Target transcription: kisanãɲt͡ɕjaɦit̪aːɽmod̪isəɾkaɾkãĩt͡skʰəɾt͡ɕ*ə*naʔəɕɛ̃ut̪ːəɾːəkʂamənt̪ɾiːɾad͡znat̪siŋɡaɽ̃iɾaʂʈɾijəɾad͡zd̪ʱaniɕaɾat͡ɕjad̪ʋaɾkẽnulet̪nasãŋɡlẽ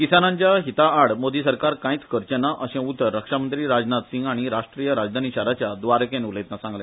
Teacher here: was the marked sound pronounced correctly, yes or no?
yes